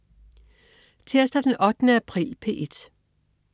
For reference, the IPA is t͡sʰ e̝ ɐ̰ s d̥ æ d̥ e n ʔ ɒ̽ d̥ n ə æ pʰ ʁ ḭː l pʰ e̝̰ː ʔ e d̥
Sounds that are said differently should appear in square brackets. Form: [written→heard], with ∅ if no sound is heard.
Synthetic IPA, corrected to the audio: t͡sʰ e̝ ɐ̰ s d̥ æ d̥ e n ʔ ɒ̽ d̥ n ə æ pʰ ʁ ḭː l pʰ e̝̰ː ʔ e d̥